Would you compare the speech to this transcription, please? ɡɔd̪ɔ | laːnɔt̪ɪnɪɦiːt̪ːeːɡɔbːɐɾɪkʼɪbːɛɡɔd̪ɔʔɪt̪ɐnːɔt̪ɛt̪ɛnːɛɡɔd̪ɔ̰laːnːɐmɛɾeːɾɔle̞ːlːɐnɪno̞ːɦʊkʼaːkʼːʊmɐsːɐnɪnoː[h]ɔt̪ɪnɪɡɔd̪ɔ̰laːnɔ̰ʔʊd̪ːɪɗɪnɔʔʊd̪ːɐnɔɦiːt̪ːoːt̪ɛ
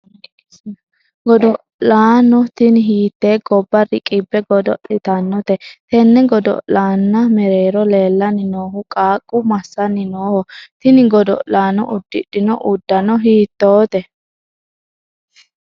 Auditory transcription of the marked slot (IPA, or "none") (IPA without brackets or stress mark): h